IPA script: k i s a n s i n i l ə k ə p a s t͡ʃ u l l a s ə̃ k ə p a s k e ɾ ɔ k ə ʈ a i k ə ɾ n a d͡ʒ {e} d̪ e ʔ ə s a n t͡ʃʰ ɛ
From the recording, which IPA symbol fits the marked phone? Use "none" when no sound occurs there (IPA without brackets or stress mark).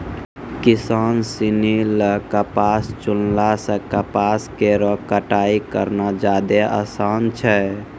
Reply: a